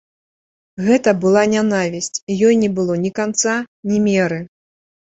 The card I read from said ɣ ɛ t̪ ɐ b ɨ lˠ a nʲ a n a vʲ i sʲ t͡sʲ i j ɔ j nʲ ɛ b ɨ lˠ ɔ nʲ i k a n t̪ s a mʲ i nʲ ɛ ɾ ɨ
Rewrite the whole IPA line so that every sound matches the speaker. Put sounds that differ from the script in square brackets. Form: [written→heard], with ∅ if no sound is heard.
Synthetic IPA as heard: ɣ ɛ t̪ ɐ b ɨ lˠ a nʲ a n a vʲ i sʲ t͡sʲ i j ɔ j nʲ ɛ b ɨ lˠ ɔ nʲ i k a n t̪ s a [mʲ→nʲ] i [nʲ→mʲ] ɛ ɾ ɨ